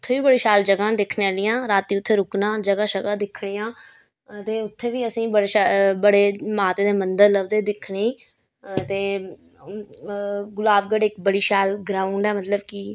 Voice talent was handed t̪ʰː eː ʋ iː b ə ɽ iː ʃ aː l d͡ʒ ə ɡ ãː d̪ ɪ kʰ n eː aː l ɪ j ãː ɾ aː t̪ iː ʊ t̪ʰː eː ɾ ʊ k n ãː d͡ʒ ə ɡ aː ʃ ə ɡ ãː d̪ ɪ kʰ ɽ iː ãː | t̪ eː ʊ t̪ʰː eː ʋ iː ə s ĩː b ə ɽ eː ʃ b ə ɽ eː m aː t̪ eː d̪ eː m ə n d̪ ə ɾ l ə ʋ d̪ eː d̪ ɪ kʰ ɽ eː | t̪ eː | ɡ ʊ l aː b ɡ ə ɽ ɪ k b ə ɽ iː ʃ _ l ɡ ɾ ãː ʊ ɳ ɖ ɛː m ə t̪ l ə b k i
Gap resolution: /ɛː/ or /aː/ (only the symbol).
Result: aː